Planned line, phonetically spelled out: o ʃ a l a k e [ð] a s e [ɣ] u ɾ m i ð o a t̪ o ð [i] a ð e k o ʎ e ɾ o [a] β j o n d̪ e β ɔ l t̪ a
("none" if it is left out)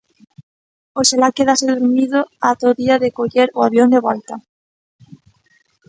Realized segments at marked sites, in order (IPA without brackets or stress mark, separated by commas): ð, ð, i, a